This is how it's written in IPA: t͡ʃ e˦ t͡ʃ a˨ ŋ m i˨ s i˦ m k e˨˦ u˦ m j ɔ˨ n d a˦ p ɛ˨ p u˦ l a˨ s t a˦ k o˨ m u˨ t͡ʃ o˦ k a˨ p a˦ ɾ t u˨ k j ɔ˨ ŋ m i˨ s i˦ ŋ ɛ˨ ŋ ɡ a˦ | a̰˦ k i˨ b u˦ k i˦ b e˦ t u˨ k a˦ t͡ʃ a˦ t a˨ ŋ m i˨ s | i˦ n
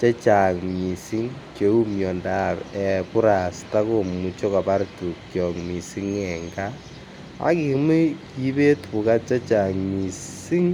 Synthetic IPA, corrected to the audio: t͡ʃ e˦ t͡ʃ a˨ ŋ m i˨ s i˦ ŋ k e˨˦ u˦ m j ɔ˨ n d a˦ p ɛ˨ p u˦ ɾ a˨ s t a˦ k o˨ m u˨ t͡ʃ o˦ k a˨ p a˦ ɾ t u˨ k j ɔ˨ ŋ m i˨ s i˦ ŋ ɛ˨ ŋ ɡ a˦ | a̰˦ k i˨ m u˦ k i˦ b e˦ t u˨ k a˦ t͡ʃ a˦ t͡ʃ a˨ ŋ m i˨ s | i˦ ŋ